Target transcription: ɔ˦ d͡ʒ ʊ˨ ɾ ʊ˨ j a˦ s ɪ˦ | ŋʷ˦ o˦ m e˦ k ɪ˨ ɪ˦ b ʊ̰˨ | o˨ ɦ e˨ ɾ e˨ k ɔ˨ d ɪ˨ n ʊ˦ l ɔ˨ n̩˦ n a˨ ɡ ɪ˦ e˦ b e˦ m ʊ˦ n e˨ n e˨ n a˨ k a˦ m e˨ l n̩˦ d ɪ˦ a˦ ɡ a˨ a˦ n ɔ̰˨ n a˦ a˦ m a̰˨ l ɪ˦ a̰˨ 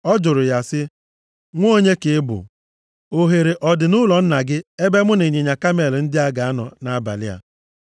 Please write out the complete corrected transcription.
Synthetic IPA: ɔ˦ d͡ʒ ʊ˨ ɾ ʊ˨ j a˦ s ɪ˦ | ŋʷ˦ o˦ ɲ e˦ k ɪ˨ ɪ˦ b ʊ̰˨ | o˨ ɦ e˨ ɾ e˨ ʔ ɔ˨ d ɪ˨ n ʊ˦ l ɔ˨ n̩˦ n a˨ ɡ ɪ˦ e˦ b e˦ m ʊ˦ n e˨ ɲ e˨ ɲ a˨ k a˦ m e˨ l n̩˦ d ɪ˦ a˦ ɡ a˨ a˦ n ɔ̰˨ n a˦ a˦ b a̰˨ l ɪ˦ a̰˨

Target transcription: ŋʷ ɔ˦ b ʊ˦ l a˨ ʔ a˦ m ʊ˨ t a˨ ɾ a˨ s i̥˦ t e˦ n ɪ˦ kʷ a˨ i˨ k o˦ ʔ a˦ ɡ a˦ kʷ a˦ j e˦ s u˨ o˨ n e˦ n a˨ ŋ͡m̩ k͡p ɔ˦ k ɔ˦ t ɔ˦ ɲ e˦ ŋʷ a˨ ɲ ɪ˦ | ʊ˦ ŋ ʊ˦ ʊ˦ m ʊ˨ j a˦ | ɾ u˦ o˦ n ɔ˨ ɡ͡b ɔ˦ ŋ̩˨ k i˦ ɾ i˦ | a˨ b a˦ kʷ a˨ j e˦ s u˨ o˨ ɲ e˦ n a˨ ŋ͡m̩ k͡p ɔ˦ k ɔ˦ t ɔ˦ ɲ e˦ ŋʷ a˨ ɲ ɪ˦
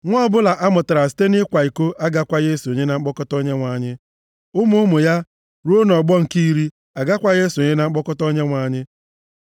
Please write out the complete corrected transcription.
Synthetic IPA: ŋʷ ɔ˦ b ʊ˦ l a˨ ʔ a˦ m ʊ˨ t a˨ ɾ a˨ s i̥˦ t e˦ n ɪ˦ kʷ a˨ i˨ k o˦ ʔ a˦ ɡ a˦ kʷ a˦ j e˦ s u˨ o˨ ɲ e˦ n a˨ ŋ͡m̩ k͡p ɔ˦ k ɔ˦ t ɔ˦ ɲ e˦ ŋʷ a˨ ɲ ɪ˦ | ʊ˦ m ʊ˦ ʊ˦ m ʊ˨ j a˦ | ɾ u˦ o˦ n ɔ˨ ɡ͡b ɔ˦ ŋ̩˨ k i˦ ɾ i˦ | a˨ ɡ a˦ kʷ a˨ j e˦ s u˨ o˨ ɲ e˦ n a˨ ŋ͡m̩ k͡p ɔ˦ k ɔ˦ t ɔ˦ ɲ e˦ ŋʷ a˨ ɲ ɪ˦

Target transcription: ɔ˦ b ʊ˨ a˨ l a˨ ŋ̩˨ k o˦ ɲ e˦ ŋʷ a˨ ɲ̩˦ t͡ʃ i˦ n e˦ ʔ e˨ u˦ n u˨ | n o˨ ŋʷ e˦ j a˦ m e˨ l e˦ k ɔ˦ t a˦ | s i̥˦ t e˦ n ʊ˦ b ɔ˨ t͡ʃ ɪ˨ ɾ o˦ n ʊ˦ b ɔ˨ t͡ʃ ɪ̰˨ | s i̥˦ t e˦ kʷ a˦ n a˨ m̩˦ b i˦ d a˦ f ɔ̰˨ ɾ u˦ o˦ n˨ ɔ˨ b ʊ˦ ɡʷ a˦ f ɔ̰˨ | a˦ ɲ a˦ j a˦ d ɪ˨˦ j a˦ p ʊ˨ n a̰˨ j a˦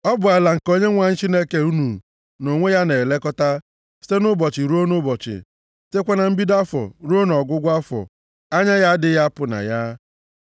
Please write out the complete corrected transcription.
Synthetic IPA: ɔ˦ b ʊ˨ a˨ l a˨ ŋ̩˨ k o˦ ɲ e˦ ŋʷ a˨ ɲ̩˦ t͡ʃ i˦ n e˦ k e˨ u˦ n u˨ | n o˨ ŋʷ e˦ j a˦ n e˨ l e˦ k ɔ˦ t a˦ | s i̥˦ t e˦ n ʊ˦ b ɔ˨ t͡ʃ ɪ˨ ɾ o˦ n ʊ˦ b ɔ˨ t͡ʃ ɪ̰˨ | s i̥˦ t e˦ kʷ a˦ n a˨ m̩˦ b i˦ d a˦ f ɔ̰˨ ɾ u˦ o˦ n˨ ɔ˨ ɡ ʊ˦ ɡʷ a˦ f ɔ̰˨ | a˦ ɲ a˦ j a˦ d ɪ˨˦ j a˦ p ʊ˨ n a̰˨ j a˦

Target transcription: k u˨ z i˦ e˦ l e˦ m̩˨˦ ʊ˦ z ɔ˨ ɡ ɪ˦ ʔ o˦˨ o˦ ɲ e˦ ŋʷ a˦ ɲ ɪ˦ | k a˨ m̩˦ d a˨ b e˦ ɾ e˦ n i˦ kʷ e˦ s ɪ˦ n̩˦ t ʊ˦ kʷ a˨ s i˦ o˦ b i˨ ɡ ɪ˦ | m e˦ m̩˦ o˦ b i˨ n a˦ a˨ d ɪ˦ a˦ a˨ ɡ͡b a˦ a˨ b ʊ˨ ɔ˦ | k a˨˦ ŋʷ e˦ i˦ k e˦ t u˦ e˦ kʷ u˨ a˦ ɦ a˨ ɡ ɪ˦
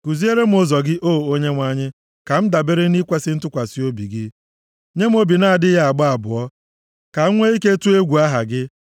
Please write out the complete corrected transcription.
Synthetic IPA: k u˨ z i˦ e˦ ɾ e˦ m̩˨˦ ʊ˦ z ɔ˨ ɡ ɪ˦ ʔ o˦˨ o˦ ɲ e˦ ŋʷ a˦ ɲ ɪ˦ | k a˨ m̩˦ d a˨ b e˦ ɾ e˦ n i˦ kʷ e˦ s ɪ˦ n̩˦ t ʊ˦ kʷ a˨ s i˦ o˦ b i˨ ɡ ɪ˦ | ɲ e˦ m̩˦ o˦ b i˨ n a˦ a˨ d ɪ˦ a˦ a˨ ɡ͡b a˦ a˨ b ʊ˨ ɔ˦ | k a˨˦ ŋʷ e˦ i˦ k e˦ t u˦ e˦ ɡʷ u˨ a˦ ɦ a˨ ɡ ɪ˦

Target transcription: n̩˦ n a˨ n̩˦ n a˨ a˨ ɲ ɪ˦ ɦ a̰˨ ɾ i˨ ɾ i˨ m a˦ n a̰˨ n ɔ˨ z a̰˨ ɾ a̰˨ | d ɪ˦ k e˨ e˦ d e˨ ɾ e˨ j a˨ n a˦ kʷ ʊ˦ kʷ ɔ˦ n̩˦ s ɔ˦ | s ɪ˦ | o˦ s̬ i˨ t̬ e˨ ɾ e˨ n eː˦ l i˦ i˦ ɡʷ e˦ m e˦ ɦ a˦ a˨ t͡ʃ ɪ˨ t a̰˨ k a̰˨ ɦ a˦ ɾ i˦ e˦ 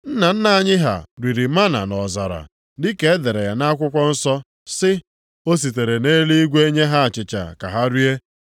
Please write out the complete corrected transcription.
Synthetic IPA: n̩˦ n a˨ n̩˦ n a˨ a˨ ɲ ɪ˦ ɦ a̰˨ ɾ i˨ ɾ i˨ m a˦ n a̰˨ n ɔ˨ z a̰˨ ɾ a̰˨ | d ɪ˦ k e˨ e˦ d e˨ ɾ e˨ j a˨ n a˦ kʷ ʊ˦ kʷ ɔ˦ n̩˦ s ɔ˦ | s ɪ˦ | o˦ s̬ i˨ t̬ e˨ ɾ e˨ n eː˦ l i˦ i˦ ɡʷ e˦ ɲ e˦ ɦ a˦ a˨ t͡ʃ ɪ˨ t͡ʃ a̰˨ k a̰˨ ɦ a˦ ɾ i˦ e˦

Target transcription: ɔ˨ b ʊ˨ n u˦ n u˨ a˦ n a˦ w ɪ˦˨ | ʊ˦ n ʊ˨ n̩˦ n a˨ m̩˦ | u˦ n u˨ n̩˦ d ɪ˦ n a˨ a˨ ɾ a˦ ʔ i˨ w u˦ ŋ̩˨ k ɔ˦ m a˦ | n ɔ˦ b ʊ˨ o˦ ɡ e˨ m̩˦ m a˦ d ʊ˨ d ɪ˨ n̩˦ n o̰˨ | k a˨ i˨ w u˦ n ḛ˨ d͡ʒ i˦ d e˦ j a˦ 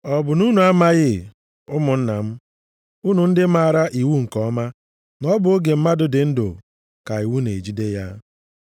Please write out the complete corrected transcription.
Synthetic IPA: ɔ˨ b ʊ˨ n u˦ n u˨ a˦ m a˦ ɣ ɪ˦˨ | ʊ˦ m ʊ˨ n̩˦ n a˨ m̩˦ | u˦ n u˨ n̩˦ d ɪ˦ m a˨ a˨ ɾ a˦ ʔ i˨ w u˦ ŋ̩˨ k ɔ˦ m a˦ | n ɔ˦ b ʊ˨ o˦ ɡ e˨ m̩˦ m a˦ d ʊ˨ d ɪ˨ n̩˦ d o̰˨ | k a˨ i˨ w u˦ n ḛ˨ d͡ʒ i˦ d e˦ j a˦

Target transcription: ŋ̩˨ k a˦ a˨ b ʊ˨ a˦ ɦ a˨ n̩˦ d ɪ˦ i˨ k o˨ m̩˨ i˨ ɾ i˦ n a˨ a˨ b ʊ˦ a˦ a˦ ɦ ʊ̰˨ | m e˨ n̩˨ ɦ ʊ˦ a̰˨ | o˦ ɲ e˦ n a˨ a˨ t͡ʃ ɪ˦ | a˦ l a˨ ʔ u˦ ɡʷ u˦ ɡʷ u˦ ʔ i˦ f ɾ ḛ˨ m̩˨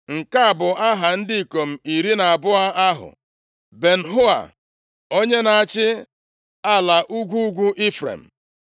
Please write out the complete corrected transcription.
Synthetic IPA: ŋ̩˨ k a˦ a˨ b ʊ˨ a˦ ɦ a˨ n̩˦ d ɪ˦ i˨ k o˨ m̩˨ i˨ ɾ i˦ n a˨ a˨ b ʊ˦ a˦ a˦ ɦ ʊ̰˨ | b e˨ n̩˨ ɦ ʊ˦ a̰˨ | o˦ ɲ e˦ n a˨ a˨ t͡ʃ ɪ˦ | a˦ l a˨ ʔ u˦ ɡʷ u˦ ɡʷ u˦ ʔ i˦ f ɾ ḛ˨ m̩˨

